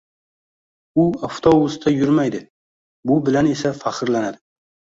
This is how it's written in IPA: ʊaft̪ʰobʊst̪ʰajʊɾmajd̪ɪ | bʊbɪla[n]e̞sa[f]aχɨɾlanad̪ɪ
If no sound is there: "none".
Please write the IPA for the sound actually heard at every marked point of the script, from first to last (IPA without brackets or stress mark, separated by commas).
n, f